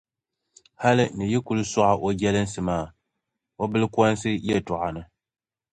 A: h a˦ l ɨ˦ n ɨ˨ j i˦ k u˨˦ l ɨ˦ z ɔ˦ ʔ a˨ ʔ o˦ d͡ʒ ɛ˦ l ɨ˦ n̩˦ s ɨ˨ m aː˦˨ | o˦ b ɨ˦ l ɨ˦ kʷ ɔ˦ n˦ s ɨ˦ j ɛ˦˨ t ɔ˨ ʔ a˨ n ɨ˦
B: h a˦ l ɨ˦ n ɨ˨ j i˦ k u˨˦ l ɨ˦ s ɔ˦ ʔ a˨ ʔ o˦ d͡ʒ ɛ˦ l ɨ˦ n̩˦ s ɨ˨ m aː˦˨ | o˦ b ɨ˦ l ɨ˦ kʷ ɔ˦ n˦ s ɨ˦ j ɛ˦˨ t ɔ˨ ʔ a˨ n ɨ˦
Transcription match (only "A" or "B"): B